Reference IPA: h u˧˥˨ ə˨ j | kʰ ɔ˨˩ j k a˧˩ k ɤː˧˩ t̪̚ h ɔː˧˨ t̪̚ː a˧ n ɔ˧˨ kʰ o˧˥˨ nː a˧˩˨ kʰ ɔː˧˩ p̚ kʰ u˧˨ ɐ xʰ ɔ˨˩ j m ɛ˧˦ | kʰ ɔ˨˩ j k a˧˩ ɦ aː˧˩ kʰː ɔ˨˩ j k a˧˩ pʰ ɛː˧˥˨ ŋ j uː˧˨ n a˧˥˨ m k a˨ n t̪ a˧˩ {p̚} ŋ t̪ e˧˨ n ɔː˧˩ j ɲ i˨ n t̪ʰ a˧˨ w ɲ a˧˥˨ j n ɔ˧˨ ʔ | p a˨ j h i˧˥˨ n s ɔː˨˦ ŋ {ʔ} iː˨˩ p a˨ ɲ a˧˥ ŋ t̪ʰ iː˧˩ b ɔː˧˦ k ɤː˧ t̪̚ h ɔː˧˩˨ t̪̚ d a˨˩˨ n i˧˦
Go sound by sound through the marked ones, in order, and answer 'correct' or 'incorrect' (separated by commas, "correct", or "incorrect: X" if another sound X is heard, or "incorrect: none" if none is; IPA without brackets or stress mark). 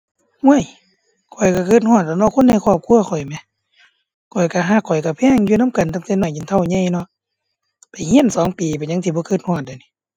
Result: incorrect: none, incorrect: p